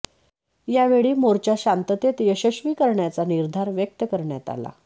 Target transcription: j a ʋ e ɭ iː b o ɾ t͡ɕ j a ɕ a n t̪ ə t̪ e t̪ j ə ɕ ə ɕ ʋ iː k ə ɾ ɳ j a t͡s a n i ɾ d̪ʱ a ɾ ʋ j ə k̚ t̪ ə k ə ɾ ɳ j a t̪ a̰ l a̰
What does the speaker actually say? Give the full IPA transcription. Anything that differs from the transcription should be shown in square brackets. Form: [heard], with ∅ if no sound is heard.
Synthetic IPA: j a ʋ e ɭ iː [m] o ɾ t͡ɕ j a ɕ a n t̪ ə t̪ e t̪ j ə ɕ ə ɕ ʋ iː k ə ɾ ɳ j a t͡s a n i ɾ d̪ʱ a ɾ ʋ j ə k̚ t̪ ə k ə ɾ ɳ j a t̪ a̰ l a̰